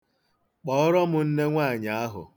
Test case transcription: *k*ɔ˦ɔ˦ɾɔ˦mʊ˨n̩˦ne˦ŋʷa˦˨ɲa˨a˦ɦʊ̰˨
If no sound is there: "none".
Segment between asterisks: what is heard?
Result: k͡p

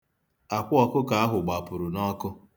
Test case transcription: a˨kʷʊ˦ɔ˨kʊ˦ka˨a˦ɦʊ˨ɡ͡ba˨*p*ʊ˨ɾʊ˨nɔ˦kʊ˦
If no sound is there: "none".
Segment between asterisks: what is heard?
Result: p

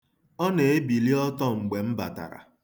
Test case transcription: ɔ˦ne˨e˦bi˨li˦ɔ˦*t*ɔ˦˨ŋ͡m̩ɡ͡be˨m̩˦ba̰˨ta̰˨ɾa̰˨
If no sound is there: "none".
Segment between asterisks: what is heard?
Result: t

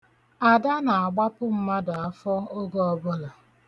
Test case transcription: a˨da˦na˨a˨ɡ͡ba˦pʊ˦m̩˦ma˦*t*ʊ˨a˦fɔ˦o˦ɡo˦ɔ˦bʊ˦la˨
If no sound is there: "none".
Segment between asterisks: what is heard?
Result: d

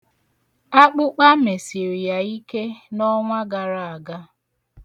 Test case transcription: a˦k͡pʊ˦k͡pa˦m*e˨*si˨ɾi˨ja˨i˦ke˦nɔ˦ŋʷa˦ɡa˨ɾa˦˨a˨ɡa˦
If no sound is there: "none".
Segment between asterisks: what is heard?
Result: e˨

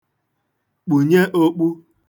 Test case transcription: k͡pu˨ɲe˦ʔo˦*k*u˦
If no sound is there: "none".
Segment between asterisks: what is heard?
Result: k͡p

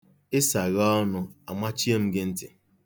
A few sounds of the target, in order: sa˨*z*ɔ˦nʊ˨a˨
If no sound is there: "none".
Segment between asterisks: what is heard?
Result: ɣ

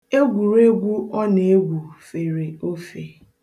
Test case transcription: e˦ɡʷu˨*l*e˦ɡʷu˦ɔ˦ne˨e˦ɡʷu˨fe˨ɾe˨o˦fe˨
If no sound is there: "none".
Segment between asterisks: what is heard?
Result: ɾ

